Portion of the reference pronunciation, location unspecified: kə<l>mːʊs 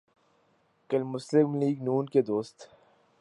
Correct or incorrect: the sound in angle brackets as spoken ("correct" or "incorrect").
correct